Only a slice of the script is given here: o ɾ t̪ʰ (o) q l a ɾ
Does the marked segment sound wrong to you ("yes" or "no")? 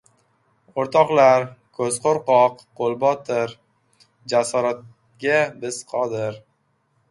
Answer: yes